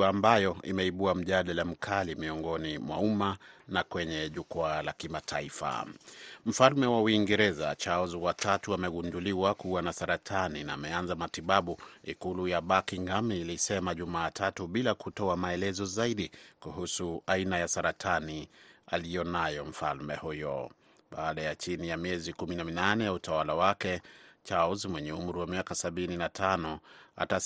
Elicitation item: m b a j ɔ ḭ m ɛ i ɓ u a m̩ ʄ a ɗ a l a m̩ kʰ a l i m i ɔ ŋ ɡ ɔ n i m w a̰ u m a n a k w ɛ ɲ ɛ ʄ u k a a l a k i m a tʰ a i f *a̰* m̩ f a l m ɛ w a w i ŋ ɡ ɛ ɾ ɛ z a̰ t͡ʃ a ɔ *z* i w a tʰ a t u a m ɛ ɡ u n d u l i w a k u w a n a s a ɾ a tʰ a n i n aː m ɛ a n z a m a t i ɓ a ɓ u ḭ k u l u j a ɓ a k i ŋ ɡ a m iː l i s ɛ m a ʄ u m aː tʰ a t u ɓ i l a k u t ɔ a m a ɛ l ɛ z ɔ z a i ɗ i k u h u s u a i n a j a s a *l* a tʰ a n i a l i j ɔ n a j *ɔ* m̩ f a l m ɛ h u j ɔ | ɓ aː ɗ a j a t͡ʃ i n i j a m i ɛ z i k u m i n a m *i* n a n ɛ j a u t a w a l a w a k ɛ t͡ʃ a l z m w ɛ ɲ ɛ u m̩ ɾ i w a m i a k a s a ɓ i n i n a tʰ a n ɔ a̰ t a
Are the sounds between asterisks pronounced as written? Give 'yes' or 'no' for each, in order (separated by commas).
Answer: yes, yes, no, yes, yes